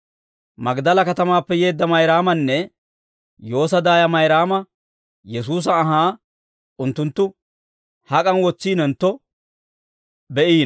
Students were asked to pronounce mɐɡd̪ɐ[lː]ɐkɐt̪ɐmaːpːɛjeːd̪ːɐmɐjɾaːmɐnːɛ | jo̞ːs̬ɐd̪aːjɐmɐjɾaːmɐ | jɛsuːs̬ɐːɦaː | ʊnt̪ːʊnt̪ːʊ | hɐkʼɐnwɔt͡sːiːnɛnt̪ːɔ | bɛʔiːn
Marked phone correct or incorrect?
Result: incorrect